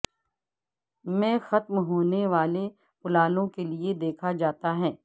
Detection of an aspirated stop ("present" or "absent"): present